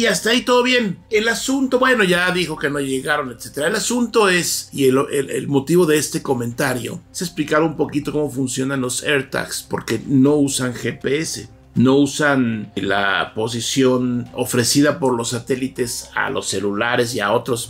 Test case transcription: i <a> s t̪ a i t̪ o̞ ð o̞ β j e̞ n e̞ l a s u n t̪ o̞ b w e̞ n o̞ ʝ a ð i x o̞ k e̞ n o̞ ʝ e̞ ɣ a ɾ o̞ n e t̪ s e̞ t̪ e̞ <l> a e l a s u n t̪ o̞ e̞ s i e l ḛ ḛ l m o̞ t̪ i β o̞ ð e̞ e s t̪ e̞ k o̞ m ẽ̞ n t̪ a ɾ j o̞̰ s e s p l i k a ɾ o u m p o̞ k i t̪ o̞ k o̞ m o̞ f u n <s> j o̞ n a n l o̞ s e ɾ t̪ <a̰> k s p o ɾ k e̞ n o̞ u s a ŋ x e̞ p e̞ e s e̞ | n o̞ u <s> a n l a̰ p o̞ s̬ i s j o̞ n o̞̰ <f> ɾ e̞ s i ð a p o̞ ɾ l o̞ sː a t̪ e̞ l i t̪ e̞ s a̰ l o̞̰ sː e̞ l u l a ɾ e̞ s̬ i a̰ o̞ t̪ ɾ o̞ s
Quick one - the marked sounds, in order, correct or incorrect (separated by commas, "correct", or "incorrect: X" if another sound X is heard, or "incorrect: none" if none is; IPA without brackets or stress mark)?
correct, incorrect: ɾ, correct, correct, correct, correct